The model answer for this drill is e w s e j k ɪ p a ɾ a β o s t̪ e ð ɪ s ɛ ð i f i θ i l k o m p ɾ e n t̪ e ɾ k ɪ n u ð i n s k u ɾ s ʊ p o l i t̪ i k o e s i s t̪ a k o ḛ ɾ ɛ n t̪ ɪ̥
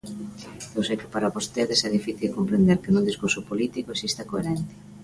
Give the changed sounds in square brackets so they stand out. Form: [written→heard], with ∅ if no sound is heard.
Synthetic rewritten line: e w s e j k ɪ p a ɾ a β o s t̪ e ð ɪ s ɛ ð i f i θ i l k o m p ɾ e n [t̪→d̪] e ɾ k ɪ n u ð i [n→∅] s k u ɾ s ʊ p o l i t̪ i k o e s i s t̪ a k o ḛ ɾ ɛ n t̪ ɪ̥